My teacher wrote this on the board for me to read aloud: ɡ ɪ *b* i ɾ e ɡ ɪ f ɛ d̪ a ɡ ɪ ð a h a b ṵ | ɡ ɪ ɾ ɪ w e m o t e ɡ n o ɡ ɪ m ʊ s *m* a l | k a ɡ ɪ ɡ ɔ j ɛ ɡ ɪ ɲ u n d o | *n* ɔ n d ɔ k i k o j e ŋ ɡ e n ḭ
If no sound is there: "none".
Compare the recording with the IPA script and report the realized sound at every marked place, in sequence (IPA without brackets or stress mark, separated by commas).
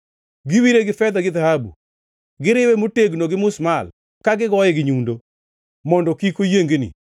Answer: w, m, m